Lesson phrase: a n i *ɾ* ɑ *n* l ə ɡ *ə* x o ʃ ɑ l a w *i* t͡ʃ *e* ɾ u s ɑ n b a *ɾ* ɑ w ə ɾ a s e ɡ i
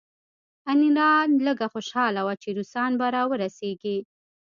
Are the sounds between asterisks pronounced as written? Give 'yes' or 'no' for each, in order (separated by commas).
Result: yes, yes, no, no, yes, yes